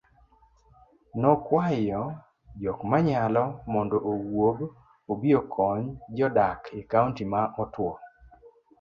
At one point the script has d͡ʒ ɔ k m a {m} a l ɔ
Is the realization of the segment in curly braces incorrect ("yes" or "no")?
yes